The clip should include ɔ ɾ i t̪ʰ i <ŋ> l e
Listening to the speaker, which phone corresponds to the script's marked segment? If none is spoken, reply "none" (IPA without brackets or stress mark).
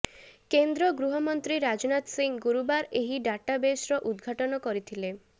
none